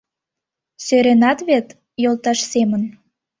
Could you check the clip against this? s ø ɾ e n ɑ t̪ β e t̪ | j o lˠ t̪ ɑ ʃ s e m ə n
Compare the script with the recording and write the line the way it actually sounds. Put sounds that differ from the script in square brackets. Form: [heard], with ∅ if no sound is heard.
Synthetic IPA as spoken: s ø ɾ e n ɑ t̪ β e t̪ | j o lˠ t̪ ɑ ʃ s e m ə n